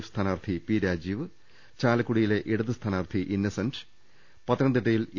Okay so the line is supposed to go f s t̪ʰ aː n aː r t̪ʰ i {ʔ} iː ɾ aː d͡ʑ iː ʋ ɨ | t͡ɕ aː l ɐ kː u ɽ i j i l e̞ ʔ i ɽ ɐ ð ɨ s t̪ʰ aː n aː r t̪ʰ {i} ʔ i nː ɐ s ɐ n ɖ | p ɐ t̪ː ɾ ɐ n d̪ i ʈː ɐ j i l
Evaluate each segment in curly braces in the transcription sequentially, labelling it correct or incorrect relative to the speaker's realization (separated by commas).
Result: incorrect, correct